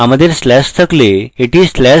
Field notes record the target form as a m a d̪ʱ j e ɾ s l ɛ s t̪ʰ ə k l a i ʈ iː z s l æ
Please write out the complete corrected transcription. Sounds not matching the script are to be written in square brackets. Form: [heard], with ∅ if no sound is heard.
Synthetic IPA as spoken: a m [ə] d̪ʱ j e ɾ s l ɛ s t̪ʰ ə k l [e] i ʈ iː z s l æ

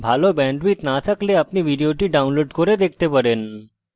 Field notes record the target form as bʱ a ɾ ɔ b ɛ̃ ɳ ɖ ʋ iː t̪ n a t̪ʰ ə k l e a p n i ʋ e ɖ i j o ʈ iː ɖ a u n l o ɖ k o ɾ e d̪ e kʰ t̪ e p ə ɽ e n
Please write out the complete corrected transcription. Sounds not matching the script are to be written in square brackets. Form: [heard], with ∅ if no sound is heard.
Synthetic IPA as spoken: bʱ a [l] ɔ b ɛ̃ ɳ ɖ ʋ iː t̪ n a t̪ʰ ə k l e a p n i ʋ [i] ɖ i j o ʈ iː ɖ a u n l o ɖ k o ɾ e d̪ e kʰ t̪ e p ə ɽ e n

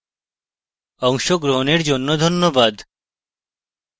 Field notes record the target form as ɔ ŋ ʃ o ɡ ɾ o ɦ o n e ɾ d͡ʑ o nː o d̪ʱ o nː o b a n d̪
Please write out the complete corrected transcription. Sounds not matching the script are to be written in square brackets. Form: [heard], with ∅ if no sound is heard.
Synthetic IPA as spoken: ɔ ŋ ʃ o ɡ ɾ o ɦ o n e ɾ d͡ʑ o nː o d̪ʱ o nː o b a [∅] d̪

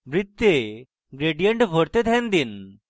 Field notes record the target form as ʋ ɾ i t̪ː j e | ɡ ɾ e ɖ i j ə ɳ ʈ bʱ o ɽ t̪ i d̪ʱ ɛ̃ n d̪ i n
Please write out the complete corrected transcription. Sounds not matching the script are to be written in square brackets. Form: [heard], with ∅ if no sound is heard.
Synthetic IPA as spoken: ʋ ɾ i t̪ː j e | ɡ ɾ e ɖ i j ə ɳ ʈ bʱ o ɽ t̪ [e] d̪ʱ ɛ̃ n d̪ i n

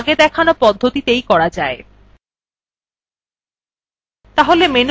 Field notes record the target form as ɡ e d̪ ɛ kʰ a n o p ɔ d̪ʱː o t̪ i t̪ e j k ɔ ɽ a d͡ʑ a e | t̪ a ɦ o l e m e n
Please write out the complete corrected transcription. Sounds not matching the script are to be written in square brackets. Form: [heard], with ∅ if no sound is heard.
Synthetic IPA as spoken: ɡ e d̪ ɛ kʰ a n o p ɔ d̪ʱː o t̪ i t̪ e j k ɔ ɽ a d͡ʑ a e | t̪ a ɦ o l e m e n

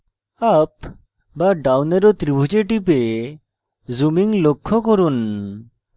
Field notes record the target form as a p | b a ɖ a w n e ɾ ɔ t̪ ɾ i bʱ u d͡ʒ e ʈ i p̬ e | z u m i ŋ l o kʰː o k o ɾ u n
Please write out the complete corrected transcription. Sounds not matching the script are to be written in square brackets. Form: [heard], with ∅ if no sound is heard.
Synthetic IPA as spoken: a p | b a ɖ a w n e ɾ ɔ t̪ ɾ i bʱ u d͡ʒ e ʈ i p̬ e | z u m i ŋ l o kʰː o k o ɾ u n

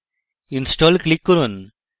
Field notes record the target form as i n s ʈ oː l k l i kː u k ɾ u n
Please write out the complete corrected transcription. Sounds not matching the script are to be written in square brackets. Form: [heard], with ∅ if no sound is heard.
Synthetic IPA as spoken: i n s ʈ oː l k l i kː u [∅] ɾ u n

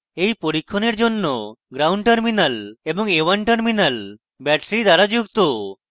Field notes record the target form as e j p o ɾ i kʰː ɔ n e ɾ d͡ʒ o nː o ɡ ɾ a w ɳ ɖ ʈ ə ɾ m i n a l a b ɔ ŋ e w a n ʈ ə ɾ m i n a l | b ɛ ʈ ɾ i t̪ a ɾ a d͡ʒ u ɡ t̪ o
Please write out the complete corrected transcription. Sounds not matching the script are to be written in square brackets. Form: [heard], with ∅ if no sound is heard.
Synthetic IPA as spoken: e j p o ɾ i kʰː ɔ n e ɾ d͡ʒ o nː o ɡ ɾ a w ɳ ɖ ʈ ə ɾ m i n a l [e] b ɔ ŋ e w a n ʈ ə ɾ m i n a l | b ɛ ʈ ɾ i [d̪] a ɾ a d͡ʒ u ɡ t̪ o

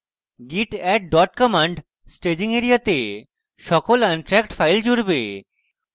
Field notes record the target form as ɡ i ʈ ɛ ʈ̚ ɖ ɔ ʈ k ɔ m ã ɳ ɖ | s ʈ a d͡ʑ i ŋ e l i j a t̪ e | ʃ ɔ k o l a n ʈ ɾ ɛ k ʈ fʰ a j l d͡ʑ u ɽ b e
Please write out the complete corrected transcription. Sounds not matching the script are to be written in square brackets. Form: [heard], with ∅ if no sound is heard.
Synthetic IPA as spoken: ɡ i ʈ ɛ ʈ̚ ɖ ɔ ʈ k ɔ m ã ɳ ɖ | s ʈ [e] d͡ʑ i ŋ e [ɾ] i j a t̪ e | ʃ ɔ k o l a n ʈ ɾ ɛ k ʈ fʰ a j l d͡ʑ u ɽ b e

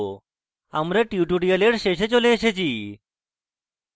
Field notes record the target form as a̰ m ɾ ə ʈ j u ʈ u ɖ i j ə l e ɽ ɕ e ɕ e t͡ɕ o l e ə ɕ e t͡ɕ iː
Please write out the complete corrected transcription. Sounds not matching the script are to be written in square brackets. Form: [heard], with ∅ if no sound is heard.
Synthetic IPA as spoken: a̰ m ɾ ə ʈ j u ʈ u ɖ i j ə l e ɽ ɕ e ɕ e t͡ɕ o l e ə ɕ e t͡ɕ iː

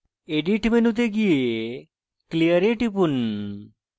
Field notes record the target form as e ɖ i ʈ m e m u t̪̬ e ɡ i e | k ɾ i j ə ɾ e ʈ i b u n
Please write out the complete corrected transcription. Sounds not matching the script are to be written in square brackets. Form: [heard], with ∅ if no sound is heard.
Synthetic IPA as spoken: e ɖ i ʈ m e [n] u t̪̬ e ɡ i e | k [l] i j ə ɾ e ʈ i [p] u n

